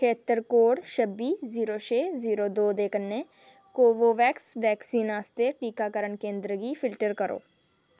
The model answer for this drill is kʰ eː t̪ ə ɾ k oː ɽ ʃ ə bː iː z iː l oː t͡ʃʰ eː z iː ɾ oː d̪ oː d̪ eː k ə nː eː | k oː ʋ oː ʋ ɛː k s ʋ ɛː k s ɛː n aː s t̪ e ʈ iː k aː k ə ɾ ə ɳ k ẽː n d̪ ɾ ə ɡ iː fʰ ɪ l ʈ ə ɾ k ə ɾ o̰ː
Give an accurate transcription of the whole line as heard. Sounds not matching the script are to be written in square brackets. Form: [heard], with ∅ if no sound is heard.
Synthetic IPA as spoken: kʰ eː t̪ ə ɾ k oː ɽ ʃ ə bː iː z iː [ɾ] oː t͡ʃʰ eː z iː ɾ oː d̪ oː d̪ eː k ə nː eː | k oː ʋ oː ʋ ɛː k s ʋ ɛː k s [iː] n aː s t̪ e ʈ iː k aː k ə ɾ ə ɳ k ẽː n d̪ ɾ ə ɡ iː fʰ ɪ l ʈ ə ɾ k ə ɾ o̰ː